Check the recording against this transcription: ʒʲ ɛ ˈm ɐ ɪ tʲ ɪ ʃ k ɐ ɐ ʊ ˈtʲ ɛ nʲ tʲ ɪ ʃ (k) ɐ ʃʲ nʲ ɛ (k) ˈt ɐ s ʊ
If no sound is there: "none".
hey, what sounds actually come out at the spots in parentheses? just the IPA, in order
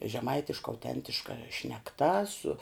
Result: k, k

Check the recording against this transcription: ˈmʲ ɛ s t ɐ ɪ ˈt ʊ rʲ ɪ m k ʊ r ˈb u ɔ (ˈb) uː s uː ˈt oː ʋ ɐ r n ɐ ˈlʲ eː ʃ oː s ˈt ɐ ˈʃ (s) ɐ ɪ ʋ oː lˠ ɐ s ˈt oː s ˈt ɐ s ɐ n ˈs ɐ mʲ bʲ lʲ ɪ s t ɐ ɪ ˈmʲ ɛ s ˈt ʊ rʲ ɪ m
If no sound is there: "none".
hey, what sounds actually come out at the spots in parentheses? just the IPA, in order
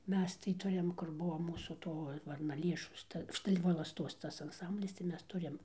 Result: m, t

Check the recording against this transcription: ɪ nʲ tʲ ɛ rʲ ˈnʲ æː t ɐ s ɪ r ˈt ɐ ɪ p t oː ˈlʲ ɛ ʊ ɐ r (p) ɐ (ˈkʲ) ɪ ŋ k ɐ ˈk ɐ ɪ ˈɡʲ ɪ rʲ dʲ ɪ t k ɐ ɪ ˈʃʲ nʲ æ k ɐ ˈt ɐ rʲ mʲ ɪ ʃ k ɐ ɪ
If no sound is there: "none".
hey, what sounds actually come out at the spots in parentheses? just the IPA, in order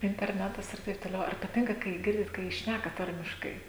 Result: p, tʲ

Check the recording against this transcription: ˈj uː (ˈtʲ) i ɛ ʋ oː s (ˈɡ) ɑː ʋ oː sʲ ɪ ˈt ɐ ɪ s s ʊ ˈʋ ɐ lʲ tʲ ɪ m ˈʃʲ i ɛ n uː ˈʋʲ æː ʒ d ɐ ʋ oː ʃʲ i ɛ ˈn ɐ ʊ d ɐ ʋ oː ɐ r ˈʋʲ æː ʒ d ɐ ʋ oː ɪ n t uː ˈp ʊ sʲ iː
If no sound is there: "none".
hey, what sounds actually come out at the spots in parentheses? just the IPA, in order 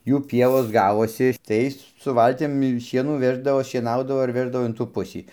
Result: pʲ, ɡ

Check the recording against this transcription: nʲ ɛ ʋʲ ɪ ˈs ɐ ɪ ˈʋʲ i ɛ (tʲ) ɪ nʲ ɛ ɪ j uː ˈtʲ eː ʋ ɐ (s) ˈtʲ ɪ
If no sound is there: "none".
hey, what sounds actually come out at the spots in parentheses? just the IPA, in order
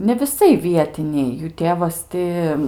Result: tʲ, s

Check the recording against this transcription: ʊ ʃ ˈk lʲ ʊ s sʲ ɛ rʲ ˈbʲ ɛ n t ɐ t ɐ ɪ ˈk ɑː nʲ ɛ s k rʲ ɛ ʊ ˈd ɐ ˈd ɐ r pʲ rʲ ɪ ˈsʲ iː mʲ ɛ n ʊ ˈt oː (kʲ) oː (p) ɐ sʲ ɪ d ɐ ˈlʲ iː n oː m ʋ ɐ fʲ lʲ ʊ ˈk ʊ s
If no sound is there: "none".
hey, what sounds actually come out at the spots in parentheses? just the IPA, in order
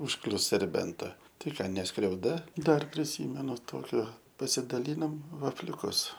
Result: kʲ, p

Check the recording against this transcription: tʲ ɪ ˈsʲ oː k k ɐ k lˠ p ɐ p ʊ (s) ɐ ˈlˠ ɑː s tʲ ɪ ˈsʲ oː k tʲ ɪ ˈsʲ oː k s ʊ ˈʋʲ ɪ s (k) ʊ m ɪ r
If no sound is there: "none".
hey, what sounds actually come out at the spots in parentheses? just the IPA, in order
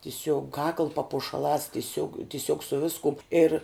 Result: ʃ, k

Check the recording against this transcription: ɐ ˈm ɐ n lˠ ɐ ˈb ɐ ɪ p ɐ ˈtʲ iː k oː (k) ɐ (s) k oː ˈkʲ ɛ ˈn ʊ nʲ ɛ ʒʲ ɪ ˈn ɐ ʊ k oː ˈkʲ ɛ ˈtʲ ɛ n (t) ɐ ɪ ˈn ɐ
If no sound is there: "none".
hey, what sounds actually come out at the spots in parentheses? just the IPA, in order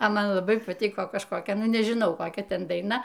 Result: k, ʃ, d

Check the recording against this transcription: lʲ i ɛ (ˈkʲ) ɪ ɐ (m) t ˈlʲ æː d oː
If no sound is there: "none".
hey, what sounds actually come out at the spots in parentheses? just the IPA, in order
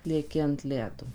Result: kʲ, n

